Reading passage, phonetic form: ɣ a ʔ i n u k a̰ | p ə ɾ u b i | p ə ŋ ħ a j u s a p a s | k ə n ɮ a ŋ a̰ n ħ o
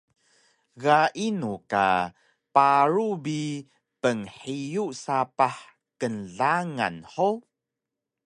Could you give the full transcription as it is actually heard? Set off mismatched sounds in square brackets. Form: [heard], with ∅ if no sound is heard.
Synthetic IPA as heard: ɣ a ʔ i n u k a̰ | p [a] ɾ u b i | p ə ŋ ħ [i] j u s a p a [ħ] | k ə n ɮ a ŋ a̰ n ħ o